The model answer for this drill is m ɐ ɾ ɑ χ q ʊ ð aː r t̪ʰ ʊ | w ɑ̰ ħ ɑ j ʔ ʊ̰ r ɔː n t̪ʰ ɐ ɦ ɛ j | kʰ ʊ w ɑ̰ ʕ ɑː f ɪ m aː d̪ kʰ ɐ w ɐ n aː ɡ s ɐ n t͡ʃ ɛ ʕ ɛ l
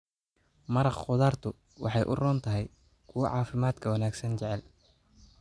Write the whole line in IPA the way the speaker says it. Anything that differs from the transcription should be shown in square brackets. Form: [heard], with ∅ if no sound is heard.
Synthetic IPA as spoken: m ɐ ɾ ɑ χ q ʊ ð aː r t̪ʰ ʊ | w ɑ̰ ħ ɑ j ʔ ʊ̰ r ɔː n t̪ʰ ɐ ɦ ɛ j | kʰ ʊ w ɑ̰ ʕ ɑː f ɪ m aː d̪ kʰ ɐ w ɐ n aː ɡ s ɐ n t͡ʃ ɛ ʕ ɛ l